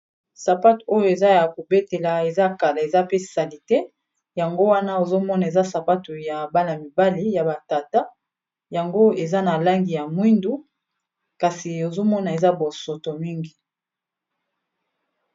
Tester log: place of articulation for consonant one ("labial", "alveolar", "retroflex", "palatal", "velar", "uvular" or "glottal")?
alveolar